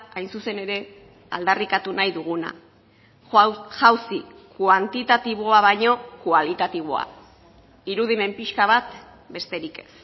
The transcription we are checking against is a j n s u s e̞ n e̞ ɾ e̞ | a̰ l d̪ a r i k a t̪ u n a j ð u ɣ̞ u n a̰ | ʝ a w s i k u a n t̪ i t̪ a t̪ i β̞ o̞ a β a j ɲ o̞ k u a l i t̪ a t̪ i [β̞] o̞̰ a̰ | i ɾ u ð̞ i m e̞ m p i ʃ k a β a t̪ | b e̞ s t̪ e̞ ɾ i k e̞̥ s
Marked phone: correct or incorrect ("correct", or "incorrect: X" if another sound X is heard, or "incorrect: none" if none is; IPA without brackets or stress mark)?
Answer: correct